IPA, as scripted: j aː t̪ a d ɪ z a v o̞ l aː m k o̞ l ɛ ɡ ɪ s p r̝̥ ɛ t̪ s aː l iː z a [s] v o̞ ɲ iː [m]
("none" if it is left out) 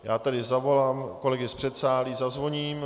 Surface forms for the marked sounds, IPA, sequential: z, m

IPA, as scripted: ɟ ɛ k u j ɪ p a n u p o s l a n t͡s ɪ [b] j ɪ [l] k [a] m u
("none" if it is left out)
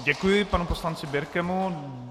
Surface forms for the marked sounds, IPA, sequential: b, ɾ, ɛ

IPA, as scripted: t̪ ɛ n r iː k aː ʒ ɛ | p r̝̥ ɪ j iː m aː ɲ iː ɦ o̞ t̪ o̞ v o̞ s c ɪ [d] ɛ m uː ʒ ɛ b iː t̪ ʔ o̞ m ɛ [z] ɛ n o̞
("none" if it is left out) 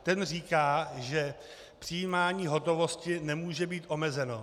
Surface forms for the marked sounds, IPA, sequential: n, z

